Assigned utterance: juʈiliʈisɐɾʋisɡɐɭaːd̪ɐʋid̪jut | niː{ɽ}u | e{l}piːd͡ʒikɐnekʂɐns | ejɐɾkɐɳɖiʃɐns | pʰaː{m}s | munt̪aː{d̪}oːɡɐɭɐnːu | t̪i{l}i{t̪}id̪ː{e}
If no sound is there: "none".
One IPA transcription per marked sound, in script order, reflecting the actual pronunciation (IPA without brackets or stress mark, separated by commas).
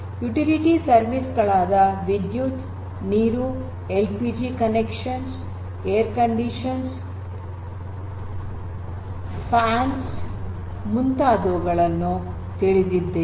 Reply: ɾ, l, n, d̪, ɭ, d̪, e